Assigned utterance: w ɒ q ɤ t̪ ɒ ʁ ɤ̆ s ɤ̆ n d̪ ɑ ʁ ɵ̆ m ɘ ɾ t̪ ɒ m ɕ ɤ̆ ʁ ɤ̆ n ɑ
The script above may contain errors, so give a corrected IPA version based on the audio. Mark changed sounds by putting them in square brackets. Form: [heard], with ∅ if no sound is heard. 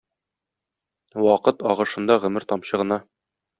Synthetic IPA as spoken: w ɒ q ɤ t̪ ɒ ʁ ɤ̆ [ʃ] ɤ̆ n d̪ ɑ ʁ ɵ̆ m ɘ ɾ t̪ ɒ m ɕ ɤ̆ ʁ ɤ̆ n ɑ